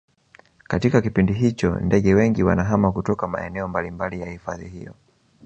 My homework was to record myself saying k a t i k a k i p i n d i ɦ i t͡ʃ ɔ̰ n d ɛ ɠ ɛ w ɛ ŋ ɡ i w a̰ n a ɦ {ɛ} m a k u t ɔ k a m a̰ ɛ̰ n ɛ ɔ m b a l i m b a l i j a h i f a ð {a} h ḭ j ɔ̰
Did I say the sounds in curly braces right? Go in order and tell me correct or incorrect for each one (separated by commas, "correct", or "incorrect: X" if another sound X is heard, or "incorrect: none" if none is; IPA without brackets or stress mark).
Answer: incorrect: a, incorrect: i